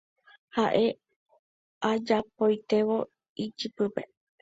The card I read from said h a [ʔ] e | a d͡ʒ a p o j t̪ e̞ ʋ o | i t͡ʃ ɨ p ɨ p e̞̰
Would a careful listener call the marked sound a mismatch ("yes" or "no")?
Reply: no